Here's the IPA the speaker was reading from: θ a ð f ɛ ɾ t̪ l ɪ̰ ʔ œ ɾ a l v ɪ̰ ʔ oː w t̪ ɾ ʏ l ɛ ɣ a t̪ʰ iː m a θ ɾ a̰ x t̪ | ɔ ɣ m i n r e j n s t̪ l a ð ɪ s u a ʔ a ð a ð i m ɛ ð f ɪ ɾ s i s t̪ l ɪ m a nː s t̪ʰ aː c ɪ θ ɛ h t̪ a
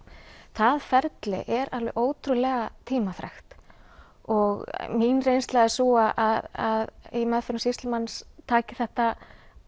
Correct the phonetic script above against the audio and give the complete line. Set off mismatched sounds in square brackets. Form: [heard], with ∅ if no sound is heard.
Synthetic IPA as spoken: θ a ð f ɛ ɾ t̪ l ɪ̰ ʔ [ɛ] ɾ a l v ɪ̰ ʔ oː w t̪ ɾ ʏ l ɛ ɣ a t̪ʰ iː m a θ ɾ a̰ x t̪ | ɔ ɣ m i n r e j n s t̪ l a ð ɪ s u a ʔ a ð a ð i m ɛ ð f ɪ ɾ s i s t̪ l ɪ m a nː s t̪ʰ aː c ɪ θ ɛ h t̪ a